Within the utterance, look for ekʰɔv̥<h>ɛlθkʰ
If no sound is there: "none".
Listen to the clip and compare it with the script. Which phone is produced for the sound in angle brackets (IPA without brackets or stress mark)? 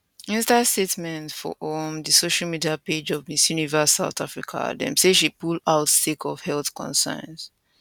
h